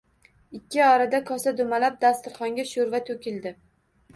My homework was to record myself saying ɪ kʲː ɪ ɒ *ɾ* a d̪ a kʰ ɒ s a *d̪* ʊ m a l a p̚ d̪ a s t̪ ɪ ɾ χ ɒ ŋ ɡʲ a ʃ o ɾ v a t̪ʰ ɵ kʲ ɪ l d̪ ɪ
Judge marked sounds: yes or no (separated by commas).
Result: yes, yes